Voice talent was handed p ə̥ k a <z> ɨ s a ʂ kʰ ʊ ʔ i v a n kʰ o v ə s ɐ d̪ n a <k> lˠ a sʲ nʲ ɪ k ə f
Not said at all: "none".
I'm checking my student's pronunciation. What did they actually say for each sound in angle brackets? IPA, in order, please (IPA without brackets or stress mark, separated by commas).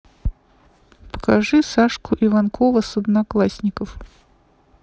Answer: ʐ, k